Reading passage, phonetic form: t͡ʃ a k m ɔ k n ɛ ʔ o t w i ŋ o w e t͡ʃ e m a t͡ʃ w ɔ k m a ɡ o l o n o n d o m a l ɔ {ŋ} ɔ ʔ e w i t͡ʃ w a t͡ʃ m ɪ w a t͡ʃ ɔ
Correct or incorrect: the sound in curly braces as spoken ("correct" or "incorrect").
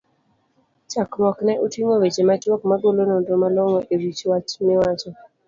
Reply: correct